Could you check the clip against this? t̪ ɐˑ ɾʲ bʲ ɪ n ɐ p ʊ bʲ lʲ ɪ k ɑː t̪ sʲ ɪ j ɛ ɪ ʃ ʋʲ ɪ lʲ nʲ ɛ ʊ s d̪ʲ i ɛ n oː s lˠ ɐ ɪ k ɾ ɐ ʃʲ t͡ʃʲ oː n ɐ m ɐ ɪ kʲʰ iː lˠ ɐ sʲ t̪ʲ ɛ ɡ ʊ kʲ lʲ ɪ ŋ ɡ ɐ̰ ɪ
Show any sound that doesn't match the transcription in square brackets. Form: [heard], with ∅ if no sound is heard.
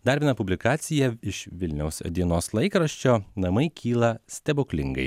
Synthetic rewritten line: [d̪] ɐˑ ɾʲ bʲ ɪ n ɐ p ʊ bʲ lʲ ɪ k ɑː t̪ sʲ ɪ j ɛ ɪ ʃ ʋʲ ɪ lʲ nʲ ɛ ʊ s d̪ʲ i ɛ n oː s lˠ ɐ ɪ k ɾ ɐ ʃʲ t͡ʃʲ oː n ɐ m ɐ ɪ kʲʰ iː lˠ ɐ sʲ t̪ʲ ɛ [b] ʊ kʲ lʲ ɪ ŋ ɡ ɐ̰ ɪ